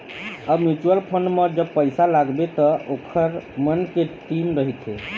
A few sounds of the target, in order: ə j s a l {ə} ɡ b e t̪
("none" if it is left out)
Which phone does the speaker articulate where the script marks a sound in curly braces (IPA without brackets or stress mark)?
a